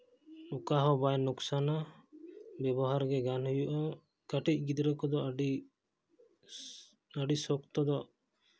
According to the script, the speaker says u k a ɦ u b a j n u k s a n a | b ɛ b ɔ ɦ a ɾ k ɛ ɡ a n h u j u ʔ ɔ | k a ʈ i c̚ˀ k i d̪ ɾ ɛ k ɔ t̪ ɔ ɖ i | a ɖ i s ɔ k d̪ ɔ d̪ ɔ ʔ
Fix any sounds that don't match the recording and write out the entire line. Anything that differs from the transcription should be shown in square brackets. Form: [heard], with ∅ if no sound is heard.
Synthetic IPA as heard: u k a ɦ [ɔ] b a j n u k s a n a | b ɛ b ɔ ɦ a ɾ [ɡ] ɛ ɡ a n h u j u ʔ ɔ | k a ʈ i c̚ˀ [ɡ] i d̪ ɾ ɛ k ɔ [d̪] ɔ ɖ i | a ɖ i s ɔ k [t̪] ɔ d̪ ɔ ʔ